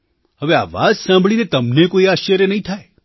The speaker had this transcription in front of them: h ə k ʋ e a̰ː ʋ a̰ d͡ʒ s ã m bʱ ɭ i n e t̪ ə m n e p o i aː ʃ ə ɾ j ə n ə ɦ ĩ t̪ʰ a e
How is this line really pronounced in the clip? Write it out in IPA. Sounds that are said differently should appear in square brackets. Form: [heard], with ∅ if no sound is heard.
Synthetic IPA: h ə [∅] ʋ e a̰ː ʋ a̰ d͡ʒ s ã m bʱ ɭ i n e t̪ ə m n e [k] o i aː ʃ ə ɾ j ə n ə ɦ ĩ t̪ʰ a e